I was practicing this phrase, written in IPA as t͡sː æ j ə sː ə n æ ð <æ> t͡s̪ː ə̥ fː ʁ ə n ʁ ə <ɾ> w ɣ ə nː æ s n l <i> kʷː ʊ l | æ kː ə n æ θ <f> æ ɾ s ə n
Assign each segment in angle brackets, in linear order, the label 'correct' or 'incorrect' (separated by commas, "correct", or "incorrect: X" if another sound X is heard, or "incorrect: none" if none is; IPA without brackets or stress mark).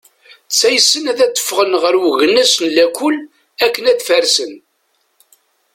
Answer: correct, correct, incorrect: æ, correct